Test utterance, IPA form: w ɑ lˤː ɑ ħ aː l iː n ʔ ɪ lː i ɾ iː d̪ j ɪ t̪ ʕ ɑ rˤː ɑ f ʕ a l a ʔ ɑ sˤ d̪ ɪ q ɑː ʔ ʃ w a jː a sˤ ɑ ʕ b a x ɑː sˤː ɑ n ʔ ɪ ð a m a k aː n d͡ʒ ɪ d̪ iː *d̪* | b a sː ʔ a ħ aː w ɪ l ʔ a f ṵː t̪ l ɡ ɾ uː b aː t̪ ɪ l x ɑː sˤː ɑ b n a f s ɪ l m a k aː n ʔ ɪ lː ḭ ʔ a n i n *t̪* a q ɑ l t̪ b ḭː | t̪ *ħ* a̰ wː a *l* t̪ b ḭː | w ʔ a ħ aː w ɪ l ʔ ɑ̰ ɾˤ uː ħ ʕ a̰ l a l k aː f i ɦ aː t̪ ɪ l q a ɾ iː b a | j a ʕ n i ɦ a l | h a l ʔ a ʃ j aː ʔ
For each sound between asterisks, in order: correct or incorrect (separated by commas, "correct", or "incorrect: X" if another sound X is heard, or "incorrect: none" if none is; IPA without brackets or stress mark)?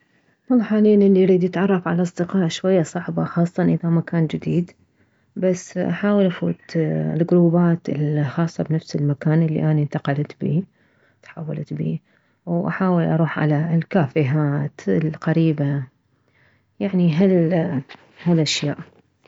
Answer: correct, correct, correct, correct